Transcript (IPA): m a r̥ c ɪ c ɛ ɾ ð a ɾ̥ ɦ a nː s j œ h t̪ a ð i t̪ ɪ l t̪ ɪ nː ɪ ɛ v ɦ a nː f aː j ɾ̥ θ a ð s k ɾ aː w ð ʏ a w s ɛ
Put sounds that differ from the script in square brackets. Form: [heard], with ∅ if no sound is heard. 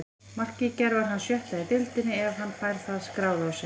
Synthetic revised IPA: m a r̥ c ɪ c ɛ ɾ [v] a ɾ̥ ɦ a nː s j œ h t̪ a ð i t̪ ɪ l t̪ ɪ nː ɪ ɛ v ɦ a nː f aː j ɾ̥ θ a ð s k ɾ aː w ð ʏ a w s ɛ